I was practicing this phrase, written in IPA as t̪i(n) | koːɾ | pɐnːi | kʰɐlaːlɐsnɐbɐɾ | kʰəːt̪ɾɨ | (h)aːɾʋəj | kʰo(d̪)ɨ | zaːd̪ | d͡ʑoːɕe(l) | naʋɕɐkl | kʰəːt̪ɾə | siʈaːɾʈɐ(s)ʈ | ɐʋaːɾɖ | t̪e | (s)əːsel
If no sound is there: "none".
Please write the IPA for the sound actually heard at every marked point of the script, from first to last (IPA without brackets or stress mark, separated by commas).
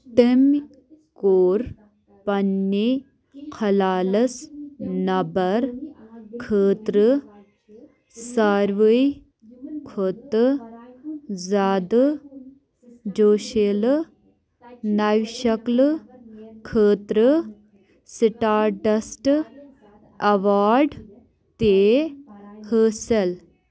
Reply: m, s, t̪, l, s, h